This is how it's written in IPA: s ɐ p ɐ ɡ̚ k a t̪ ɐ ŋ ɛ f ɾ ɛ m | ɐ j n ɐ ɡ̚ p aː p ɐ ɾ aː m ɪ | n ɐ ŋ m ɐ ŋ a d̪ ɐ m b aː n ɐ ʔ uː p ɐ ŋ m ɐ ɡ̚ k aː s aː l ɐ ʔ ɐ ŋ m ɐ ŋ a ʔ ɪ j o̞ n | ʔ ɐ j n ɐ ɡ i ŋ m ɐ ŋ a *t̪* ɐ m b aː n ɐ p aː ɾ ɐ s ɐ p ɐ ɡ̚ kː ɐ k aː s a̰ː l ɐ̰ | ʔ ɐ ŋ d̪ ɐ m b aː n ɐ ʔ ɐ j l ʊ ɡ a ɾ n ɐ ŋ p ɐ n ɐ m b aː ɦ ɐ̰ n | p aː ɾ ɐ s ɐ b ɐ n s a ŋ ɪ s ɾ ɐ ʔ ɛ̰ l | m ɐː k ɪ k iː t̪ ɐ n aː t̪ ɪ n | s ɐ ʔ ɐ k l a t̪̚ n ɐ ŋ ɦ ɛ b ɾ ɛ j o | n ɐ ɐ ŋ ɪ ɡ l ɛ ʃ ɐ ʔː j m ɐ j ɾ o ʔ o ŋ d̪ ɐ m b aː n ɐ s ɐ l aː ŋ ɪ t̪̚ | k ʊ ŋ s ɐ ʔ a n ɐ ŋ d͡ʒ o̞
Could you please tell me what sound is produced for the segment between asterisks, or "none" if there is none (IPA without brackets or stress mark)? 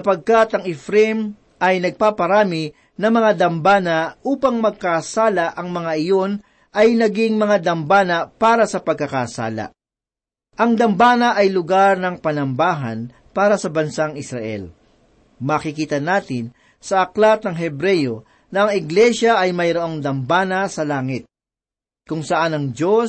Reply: d̪